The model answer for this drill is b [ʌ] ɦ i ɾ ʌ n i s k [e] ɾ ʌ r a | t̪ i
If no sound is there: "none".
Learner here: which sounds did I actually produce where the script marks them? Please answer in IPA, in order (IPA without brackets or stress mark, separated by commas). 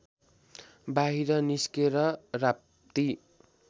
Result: a, e